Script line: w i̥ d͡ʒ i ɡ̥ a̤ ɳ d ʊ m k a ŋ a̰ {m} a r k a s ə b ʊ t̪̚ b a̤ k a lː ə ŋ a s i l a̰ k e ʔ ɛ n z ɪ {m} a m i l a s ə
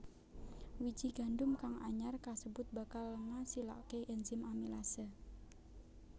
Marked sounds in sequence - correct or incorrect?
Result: incorrect, correct

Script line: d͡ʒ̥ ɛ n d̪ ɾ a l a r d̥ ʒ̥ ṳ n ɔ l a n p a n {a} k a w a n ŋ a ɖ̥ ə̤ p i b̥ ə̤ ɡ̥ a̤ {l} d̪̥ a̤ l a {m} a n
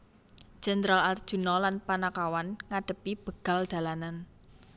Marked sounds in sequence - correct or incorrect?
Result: correct, correct, incorrect

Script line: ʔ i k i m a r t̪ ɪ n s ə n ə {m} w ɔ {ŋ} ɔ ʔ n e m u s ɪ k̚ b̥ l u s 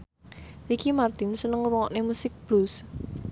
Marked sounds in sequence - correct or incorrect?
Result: incorrect, correct

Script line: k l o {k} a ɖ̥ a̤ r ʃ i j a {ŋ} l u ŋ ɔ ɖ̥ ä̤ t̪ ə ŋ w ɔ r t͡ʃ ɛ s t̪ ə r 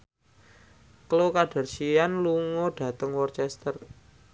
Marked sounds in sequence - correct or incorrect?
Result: correct, incorrect

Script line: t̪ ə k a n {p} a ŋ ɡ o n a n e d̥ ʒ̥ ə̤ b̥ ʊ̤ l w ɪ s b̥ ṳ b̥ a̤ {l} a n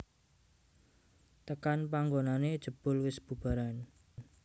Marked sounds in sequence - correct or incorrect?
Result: correct, incorrect

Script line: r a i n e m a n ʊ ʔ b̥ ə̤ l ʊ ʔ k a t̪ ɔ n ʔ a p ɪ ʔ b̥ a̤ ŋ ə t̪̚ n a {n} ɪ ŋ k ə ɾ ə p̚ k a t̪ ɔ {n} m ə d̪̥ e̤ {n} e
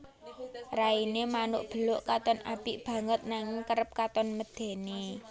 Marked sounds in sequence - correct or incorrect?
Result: incorrect, correct, correct

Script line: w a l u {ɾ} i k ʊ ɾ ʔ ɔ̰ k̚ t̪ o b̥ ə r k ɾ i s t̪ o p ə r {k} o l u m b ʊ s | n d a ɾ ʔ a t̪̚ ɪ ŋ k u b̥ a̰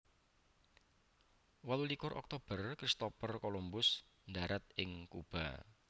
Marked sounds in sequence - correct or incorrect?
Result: incorrect, correct

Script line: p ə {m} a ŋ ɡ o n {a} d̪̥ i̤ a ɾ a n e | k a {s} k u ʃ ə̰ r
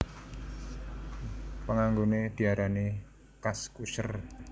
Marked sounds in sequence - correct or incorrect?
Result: incorrect, incorrect, correct

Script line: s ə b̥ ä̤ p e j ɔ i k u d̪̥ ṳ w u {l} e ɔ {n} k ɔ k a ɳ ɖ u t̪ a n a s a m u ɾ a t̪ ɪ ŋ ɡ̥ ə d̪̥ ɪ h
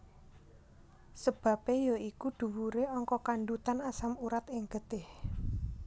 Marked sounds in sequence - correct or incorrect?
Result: incorrect, incorrect

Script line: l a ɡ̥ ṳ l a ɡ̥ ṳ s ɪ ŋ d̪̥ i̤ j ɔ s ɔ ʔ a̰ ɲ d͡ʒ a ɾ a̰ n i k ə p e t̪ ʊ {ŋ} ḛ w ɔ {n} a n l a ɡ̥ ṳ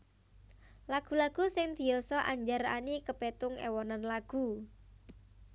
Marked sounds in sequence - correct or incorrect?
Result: correct, correct

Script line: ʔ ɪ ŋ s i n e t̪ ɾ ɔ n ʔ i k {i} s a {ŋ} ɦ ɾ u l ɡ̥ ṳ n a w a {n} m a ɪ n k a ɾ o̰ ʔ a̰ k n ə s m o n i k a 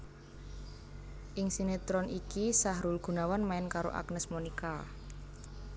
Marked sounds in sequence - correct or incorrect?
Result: correct, incorrect, correct

